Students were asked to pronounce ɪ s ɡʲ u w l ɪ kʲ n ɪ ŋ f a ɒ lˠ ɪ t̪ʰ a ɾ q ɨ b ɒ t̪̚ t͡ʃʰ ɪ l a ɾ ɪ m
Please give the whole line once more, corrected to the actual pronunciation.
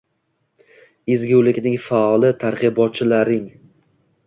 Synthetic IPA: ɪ z ɡʲ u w l ɪ kʲ n ɪ ŋ f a ɒ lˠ ɪ t̪ʰ a ɾ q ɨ b ɒ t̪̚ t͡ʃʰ ɪ l a ɾ ɪ ŋ